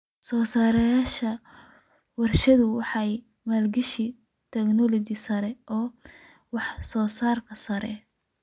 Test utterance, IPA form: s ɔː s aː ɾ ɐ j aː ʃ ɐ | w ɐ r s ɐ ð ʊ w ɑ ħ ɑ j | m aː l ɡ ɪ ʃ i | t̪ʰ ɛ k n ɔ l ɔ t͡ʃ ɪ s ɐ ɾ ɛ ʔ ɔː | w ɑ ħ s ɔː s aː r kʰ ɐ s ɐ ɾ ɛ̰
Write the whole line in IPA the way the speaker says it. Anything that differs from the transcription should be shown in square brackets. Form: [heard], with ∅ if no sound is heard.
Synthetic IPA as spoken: s ɔː s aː ɾ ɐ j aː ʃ ɐ | w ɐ r [ʃ] ɐ ð ʊ w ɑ ħ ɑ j | m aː l ɡ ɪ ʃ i | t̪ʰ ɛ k n ɔ l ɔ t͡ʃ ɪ s ɐ ɾ ɛ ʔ ɔː | w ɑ ħ s ɔː s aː r kʰ ɐ s ɐ ɾ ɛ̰